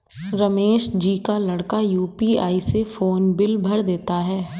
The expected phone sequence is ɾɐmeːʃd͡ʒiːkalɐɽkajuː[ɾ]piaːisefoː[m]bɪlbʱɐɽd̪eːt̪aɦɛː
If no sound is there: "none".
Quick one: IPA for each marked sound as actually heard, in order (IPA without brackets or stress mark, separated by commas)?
none, n